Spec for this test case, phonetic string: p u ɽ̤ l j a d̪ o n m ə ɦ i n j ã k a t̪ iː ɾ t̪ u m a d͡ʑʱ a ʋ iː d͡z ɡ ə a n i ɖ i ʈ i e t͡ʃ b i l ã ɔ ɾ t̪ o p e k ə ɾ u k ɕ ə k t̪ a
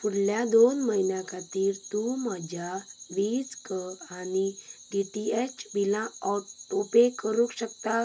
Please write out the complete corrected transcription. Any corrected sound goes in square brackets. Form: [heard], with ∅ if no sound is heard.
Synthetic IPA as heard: p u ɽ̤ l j a d̪ o n m ə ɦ i n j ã k a t̪ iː ɾ t̪ u m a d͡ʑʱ a ʋ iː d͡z [k] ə a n i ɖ i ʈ i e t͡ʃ b i l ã ɔ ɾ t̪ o p e k ə ɾ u k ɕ ə k t̪ a